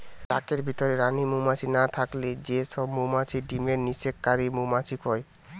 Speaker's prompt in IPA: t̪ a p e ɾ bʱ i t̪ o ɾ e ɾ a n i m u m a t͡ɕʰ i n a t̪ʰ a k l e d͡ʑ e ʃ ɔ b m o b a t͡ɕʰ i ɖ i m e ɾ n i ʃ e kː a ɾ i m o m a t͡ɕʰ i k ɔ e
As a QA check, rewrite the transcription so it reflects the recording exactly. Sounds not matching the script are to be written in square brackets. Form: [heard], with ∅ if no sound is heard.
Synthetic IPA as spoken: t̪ a [k] e ɾ bʱ i t̪ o ɾ e ɾ a n i m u m a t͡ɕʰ i n a t̪ʰ a k l e d͡ʑ e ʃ ɔ b m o [m] a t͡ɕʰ i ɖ i m e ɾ n i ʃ e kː a ɾ i m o m a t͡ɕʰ i k ɔ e